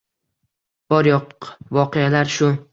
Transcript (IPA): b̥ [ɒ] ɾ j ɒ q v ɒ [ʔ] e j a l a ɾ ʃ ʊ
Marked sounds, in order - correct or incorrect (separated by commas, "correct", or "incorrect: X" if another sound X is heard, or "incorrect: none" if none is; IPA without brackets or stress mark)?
correct, incorrect: q